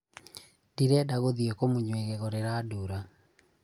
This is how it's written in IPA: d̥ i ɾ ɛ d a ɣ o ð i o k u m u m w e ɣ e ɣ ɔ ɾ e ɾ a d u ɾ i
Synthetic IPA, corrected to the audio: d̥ i ɾ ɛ d a ɣ o ð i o k o m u ɲ w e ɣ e ɣ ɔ ɾ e ɾ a d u ɾ a